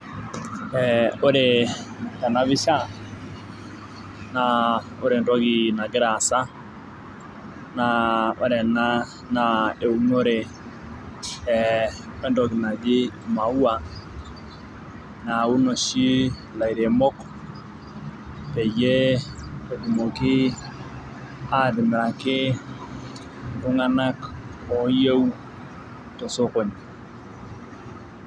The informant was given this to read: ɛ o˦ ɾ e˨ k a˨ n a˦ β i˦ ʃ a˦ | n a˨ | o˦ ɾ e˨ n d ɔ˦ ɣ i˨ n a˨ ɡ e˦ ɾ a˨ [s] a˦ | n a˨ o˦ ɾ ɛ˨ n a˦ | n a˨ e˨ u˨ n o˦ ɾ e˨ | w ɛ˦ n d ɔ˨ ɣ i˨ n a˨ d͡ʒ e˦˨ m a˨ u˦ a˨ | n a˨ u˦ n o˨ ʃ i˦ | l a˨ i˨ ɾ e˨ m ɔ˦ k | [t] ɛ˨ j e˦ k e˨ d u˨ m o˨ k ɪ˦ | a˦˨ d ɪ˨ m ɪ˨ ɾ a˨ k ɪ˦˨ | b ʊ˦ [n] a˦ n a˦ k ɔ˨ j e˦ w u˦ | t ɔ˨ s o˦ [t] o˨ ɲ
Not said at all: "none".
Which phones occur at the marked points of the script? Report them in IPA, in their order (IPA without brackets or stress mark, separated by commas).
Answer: s, p, ŋ, k